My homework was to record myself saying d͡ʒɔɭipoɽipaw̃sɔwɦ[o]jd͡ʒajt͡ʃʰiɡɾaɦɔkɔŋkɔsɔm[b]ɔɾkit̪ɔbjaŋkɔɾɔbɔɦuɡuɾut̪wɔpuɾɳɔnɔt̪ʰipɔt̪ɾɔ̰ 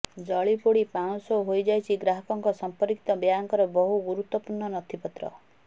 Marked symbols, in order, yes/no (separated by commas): yes, no